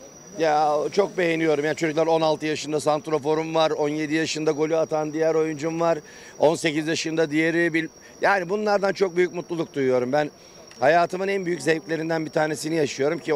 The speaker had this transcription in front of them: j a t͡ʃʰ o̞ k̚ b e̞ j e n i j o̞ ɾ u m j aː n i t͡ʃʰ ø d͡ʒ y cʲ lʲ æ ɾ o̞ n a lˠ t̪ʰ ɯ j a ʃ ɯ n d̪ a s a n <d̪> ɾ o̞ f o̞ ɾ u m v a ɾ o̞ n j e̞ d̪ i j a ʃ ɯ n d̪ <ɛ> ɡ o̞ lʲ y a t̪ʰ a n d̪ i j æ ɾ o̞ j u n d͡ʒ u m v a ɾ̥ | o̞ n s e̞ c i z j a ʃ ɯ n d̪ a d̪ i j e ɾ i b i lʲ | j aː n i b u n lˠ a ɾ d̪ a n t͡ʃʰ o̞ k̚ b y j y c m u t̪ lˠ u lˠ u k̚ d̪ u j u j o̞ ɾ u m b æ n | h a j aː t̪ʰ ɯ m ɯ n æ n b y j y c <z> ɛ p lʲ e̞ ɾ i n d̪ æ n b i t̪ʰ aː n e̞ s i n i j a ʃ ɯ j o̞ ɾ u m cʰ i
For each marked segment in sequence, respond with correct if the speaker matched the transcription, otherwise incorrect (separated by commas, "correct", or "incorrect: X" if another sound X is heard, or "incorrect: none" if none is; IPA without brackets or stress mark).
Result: incorrect: t̪, incorrect: a, correct